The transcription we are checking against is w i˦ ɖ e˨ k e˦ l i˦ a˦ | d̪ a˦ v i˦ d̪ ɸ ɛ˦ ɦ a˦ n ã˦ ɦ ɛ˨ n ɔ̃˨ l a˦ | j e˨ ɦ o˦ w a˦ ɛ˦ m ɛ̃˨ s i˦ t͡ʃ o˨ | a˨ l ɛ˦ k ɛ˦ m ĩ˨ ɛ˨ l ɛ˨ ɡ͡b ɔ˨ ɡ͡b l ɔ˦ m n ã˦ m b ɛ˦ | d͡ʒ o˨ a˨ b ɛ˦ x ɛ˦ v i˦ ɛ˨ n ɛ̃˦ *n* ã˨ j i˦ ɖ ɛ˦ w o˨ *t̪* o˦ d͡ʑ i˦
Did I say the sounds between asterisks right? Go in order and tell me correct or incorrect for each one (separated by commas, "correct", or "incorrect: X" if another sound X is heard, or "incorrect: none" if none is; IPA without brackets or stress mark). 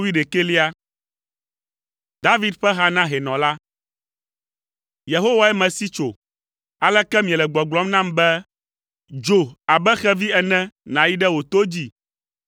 correct, correct